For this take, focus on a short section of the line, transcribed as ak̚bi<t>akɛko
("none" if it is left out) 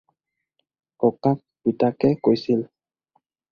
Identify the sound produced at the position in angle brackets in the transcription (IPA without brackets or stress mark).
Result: t